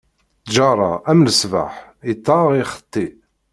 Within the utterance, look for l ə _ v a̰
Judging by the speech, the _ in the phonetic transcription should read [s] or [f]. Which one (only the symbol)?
s